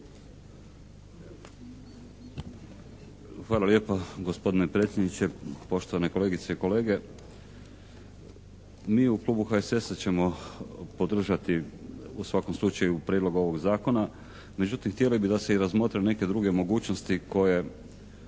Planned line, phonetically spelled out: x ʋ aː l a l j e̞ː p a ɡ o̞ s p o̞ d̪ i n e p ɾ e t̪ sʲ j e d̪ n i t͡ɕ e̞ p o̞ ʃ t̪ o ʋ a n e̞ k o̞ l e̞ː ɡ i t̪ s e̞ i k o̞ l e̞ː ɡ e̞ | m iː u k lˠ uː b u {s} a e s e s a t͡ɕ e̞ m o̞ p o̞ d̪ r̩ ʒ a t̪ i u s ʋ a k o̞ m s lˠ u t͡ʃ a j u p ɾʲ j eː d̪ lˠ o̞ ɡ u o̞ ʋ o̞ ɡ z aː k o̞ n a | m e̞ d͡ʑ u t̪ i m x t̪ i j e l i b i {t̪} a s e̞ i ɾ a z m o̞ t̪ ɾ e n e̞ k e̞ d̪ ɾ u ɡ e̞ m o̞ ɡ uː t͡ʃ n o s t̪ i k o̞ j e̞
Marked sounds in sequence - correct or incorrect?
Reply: incorrect, incorrect

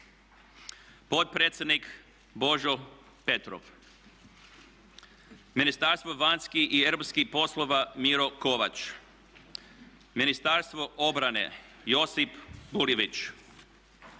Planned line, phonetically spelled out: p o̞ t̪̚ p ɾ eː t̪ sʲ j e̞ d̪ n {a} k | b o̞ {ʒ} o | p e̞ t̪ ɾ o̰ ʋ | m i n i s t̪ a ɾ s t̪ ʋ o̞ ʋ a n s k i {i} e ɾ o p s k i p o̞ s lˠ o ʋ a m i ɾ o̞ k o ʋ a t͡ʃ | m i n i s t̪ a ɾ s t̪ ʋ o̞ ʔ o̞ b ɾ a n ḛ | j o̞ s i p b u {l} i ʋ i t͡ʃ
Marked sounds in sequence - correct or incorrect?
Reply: incorrect, correct, correct, correct

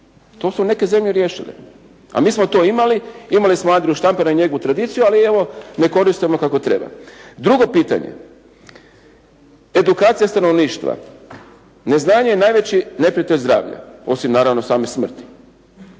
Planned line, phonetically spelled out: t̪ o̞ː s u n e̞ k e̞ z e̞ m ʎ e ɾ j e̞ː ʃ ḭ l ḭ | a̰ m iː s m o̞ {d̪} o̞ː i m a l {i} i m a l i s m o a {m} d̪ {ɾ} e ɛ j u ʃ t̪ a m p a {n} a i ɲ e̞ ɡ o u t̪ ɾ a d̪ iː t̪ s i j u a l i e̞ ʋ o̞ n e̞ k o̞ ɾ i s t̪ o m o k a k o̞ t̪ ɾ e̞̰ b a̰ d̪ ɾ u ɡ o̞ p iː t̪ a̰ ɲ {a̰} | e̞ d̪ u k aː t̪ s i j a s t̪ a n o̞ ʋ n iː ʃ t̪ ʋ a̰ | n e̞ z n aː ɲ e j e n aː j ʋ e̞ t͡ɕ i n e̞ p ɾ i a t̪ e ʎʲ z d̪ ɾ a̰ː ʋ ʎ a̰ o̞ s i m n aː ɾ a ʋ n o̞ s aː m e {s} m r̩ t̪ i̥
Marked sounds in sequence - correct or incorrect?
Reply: incorrect, correct, incorrect, correct, correct, incorrect, correct

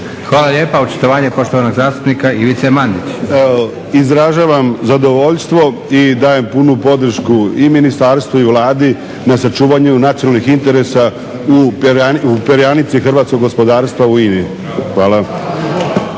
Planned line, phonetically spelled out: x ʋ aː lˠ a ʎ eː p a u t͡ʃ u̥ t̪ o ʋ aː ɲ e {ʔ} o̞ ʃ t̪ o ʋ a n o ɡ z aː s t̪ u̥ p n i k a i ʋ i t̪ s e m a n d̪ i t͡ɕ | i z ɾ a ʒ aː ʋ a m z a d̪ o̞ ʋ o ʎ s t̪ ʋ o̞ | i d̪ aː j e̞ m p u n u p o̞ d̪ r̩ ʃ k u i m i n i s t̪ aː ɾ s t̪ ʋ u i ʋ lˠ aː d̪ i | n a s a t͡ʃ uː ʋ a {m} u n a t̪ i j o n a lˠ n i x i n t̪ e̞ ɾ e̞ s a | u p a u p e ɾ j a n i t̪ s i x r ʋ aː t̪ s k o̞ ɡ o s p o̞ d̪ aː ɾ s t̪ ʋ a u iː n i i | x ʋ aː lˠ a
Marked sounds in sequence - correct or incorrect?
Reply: incorrect, incorrect

